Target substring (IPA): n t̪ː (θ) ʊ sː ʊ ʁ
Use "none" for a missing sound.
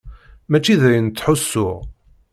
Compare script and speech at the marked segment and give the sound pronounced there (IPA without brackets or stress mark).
ħ